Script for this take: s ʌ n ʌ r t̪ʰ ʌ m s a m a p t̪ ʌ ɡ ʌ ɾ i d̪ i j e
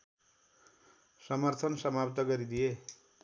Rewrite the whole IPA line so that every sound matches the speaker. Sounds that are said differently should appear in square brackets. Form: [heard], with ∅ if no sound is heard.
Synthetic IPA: s ʌ [m] ʌ r t̪ʰ ʌ [n] s [ʌ] m a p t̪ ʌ ɡ ʌ ɾ i d̪ i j e